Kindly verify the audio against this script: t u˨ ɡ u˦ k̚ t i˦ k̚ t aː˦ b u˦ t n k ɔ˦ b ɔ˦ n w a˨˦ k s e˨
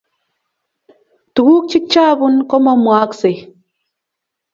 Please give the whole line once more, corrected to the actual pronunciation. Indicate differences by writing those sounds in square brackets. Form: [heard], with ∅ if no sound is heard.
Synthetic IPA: t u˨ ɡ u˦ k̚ [t͡ʃ] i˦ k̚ [t͡ʃ] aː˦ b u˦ [∅] n k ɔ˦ [m] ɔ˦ [m] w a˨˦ k s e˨